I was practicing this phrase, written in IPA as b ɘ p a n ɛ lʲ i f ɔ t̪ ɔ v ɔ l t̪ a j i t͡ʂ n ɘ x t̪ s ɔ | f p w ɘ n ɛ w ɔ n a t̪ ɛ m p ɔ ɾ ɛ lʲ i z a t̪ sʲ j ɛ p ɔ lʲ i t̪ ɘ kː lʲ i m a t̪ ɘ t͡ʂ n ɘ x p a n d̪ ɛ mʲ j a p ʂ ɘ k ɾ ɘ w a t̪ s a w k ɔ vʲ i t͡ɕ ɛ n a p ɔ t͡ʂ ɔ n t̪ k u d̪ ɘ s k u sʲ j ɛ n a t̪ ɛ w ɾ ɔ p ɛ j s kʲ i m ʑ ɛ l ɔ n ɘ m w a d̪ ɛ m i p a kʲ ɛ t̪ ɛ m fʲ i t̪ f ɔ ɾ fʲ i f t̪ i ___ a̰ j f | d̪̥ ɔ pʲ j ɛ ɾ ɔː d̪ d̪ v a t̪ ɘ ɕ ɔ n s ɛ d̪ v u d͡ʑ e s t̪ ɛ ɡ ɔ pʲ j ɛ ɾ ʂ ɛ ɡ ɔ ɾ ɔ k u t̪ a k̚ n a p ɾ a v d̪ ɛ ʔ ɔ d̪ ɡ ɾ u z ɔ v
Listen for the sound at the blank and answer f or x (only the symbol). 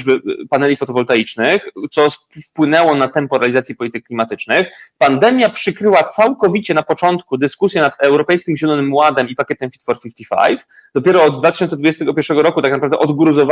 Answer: f